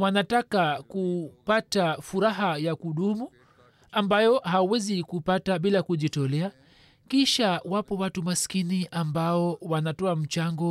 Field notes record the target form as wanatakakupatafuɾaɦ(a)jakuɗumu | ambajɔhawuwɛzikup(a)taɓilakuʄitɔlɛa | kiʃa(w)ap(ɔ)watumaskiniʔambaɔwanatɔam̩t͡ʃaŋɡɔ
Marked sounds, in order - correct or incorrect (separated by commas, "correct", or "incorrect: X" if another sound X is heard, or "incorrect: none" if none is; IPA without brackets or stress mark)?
correct, correct, correct, correct